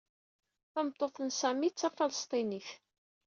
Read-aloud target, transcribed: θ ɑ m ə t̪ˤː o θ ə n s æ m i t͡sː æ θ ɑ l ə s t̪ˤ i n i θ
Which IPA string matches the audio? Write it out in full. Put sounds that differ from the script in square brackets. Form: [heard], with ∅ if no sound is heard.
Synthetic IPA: θ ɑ m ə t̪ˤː o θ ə n s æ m i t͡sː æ [f] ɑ l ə s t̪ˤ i n i θ